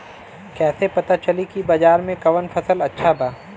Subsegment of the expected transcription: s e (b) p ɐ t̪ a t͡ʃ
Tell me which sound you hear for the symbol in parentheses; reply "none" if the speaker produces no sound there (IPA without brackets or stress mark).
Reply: none